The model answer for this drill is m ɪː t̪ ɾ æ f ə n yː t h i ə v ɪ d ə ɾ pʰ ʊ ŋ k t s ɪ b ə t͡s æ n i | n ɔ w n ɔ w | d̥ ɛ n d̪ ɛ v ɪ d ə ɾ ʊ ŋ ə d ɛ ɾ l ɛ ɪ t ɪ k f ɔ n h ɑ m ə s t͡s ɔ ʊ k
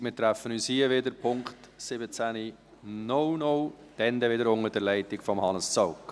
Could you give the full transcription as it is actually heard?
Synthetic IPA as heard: m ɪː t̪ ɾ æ f ə n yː s h i ə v ɪ d ə ɾ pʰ ʊ ŋ k t s ɪ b ə t͡s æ n i | n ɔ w n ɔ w | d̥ ɛ n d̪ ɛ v ɪ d ə ɾ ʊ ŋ ə d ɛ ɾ l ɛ ɪ t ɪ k f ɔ m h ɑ n ə s t͡s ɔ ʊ k